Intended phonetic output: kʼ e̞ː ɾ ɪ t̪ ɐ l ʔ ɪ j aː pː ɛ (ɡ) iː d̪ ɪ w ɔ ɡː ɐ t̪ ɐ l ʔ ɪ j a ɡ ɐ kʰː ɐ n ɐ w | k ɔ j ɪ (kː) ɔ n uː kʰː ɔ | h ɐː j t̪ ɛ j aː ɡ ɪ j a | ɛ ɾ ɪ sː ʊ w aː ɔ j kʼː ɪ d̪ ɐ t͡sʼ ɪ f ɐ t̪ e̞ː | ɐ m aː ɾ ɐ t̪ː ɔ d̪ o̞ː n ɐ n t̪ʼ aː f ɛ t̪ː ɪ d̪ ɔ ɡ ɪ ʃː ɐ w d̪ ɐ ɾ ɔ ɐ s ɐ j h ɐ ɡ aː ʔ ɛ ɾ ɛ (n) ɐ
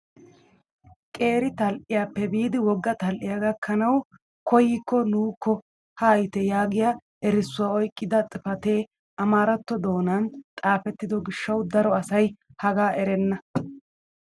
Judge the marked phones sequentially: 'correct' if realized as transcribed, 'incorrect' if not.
incorrect: b, correct, incorrect: nː

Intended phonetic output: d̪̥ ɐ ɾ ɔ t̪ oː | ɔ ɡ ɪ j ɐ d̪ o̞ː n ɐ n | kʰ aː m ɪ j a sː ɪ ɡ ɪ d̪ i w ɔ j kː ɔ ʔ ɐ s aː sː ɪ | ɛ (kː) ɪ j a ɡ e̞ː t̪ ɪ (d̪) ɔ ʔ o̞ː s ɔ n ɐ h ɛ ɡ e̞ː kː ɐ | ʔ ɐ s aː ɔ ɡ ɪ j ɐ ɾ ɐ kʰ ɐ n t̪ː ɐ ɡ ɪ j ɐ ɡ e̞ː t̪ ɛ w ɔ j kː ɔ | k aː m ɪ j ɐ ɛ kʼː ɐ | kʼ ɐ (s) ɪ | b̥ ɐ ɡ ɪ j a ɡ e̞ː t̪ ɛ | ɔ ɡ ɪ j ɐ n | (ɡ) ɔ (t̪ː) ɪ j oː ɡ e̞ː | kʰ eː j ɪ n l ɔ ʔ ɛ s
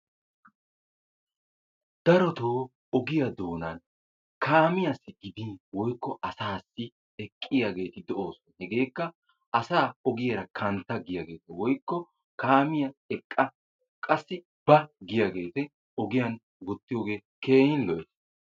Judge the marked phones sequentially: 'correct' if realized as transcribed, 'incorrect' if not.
incorrect: kʼː, correct, incorrect: sː, correct, correct

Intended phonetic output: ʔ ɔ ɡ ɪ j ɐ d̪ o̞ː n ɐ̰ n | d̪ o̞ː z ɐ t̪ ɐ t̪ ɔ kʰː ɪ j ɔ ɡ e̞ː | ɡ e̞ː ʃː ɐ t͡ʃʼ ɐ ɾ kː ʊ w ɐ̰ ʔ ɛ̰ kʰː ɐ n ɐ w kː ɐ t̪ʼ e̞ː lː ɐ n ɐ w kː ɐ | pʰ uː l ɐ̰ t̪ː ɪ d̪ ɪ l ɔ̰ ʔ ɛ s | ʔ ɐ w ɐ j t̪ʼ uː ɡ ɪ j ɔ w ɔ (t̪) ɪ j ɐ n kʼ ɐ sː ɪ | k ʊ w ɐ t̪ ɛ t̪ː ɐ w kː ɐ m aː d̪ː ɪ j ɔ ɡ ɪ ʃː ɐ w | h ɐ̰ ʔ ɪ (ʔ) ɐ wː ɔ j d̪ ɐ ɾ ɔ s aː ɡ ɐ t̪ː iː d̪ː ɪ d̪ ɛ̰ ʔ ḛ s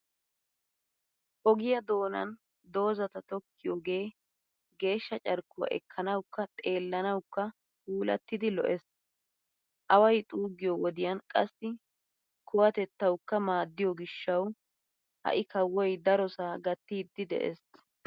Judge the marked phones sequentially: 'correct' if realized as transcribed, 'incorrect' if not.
incorrect: d̪, incorrect: k

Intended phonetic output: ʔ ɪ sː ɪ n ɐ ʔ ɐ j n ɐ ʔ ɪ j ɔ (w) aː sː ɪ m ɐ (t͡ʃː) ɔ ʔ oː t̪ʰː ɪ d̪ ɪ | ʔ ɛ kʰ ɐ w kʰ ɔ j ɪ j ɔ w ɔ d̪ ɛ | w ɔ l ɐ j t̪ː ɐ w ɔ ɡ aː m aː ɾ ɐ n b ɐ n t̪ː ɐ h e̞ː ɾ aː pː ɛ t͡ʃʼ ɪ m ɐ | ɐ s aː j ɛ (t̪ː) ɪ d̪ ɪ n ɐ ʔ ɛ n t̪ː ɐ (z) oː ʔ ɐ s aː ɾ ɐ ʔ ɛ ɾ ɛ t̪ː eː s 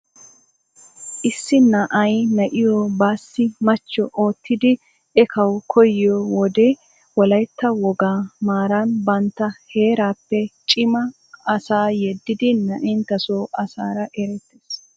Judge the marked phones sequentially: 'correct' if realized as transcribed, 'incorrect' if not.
incorrect: b, correct, incorrect: d̪ː, incorrect: s

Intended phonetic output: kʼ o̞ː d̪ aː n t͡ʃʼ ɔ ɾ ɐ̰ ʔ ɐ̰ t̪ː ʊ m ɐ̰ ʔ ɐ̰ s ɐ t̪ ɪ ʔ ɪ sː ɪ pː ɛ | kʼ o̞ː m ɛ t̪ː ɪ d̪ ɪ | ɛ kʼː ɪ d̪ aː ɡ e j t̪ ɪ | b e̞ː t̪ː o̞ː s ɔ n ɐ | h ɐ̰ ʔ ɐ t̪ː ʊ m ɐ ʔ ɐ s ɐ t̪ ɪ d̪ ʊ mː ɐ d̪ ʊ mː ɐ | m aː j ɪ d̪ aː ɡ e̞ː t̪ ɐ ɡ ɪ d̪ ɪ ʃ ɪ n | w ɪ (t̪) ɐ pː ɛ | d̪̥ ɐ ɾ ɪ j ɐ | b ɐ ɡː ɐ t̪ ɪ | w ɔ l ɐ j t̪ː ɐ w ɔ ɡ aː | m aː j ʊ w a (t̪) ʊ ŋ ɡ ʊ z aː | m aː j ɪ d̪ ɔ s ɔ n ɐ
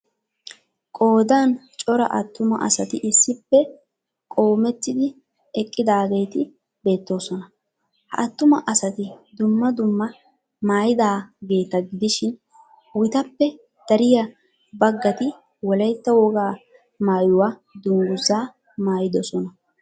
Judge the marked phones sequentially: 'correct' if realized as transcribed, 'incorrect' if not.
correct, incorrect: d̪

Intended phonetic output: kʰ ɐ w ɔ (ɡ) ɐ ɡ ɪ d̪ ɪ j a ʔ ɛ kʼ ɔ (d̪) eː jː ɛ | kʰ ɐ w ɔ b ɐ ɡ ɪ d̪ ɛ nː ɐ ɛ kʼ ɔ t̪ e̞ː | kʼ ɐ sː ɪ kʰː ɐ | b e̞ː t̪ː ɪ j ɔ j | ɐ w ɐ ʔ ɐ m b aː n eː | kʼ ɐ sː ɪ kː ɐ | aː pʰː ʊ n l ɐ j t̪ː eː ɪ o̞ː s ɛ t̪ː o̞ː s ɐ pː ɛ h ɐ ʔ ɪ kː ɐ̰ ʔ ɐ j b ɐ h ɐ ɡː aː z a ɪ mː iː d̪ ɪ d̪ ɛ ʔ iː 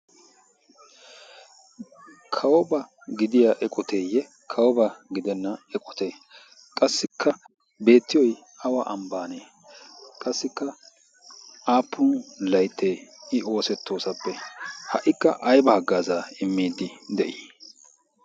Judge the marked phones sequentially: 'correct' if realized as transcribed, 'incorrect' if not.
incorrect: b, incorrect: t̪

